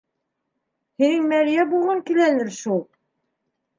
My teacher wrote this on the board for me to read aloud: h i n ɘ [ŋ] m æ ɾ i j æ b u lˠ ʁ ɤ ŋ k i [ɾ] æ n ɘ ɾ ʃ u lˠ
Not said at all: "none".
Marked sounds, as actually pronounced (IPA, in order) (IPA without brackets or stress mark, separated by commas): ŋ, l